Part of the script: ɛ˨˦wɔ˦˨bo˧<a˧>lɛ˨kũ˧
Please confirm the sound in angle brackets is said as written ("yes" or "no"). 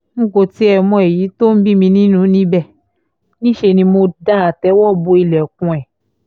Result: no